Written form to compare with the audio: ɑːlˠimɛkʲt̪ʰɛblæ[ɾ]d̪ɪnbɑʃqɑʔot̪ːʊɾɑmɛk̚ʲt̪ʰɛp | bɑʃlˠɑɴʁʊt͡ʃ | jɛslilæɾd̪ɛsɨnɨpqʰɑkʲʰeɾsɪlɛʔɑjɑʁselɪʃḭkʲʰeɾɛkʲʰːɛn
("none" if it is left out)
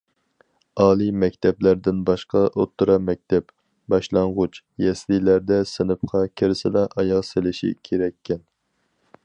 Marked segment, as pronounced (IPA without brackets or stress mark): ɾ